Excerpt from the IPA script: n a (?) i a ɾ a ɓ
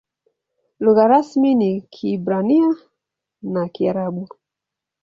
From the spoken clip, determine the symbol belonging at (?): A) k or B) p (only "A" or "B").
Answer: A